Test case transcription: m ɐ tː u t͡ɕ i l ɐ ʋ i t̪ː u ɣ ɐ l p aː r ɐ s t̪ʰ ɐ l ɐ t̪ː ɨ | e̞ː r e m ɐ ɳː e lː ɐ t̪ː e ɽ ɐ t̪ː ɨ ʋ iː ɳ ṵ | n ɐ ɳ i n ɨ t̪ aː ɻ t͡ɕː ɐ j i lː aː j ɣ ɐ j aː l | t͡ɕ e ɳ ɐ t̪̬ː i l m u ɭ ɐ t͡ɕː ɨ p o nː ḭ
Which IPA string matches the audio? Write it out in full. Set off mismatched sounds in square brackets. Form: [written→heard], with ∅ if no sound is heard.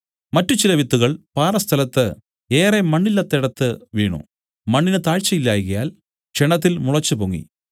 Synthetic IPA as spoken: m ɐ tː u t͡ɕ i l ɐ ʋ i t̪ː u ɣ ɐ [l→ɭ] p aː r ɐ s t̪ʰ ɐ l ɐ t̪ː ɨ | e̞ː r e m ɐ ɳː [e→i] lː ɐ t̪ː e ɽ ɐ t̪ː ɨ ʋ iː ɳ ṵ | [n→m] ɐ [ɳ→ɳː] i n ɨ t̪ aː ɻ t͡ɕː ɐ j i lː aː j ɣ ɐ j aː l | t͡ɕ e ɳ ɐ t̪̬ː i l m u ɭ ɐ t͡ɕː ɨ p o [nː→ŋː] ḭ